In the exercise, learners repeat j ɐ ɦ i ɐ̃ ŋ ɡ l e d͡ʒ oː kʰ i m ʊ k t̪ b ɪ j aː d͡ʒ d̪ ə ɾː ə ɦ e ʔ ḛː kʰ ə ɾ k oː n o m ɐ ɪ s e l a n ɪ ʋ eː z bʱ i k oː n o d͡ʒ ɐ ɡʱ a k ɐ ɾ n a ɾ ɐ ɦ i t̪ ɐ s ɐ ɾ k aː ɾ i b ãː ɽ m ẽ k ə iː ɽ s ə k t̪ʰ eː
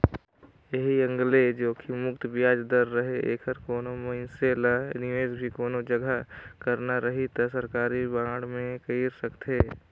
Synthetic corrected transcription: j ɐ ɦ i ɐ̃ ŋ ɡ l e d͡ʒ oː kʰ i m ʊ k t̪ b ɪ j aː d͡ʒ d̪ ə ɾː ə ɦ e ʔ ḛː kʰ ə ɾ k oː n o m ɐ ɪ s e l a n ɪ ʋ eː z bʱ i k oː n o d͡ʒ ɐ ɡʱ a k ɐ ɾ n a ɾ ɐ ɦ i t̪ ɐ s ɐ ɾ k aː ɾ i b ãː ɽ m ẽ k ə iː ɾ s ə k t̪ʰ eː